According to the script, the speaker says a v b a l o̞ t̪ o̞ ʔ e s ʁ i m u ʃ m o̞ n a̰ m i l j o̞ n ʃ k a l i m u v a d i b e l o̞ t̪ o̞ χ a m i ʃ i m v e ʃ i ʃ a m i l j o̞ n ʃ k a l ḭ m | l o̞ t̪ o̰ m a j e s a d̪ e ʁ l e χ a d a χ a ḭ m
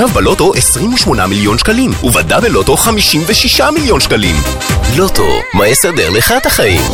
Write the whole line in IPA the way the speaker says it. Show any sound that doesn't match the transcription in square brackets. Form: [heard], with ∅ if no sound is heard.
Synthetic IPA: a v b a l o̞ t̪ o̞ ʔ e s ʁ i m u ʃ m o̞ n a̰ m i l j o̞ n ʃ k a l i m u v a d [a] b e l o̞ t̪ o̞ χ a m i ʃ i m v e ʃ i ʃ a m i l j o̞ n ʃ k a l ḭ m | l o̞ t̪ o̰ m a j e s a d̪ e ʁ l e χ a [t] a χ a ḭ m